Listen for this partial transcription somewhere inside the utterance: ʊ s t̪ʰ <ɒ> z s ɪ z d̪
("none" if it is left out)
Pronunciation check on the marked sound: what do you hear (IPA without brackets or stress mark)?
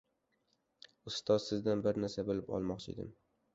ɒ